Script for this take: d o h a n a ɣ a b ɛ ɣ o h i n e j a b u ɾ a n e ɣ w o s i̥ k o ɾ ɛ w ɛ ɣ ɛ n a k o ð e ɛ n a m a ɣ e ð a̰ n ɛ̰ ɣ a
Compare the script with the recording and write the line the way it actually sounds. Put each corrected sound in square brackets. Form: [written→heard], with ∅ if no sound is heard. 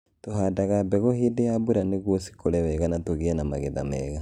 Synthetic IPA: [d→t] o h a [n→d] a ɣ a b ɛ ɣ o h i [n→d] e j a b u ɾ a n e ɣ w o s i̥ k o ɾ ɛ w ɛ ɣ [ɛ→a] n a [k→t] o [ð→ɣ] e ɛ n a m a ɣ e ð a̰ [n→m] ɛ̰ ɣ a